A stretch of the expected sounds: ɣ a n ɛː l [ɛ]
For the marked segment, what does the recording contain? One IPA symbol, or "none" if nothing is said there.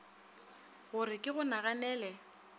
ɛ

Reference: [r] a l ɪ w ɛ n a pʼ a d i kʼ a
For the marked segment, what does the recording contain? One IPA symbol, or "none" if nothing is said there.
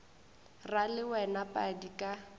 r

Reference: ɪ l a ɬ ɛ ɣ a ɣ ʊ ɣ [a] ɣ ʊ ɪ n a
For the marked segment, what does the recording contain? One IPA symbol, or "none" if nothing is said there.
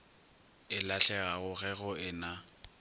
ɛ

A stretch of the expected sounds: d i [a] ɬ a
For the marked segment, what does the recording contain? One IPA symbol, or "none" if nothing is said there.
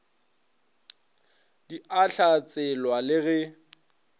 a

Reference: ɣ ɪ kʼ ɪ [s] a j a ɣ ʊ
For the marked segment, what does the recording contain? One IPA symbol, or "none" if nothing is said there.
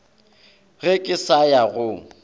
s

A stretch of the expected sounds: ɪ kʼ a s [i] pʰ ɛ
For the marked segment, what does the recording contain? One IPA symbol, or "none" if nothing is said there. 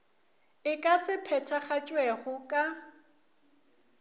ɪ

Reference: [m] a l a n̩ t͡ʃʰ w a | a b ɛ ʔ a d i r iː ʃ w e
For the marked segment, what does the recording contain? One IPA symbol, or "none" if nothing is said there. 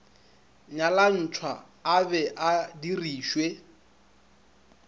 ɲ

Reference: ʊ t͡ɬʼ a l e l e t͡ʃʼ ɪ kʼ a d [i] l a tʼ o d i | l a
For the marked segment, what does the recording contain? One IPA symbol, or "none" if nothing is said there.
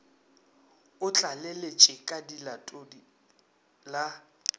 i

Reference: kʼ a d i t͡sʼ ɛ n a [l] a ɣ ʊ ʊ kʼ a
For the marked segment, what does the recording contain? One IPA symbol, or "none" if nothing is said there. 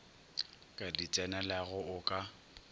l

